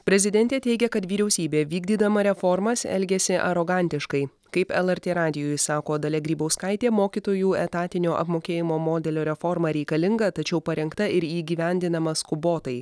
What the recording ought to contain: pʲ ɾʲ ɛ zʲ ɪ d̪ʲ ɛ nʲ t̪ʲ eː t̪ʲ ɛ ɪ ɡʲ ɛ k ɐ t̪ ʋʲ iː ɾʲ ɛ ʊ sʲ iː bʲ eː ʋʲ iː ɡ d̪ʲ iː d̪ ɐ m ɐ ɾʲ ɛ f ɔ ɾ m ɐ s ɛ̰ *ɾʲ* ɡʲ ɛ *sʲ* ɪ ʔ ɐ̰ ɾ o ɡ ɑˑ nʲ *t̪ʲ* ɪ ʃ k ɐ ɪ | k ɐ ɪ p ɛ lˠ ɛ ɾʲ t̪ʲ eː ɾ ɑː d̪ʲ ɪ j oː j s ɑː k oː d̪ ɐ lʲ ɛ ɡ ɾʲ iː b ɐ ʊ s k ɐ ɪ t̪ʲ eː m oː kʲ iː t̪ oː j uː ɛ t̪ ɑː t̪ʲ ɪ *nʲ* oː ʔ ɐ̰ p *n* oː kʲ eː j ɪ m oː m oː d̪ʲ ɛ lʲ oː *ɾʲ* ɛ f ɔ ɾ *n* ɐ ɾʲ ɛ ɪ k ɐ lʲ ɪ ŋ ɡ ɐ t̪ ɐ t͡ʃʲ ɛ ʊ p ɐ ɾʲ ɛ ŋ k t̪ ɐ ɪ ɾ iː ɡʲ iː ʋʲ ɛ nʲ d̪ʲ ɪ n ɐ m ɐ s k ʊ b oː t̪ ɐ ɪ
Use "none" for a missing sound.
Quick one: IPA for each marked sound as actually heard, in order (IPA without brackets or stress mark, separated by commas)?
lʲ, sʲ, t̪ʲ, nʲ, m, ɾʲ, m